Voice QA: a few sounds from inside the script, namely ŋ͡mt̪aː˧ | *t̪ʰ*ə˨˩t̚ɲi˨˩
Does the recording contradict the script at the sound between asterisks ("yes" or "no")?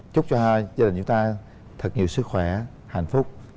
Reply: no